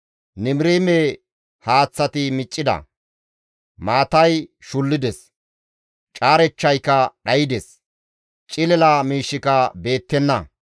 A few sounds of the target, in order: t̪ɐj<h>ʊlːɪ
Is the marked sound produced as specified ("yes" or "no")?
no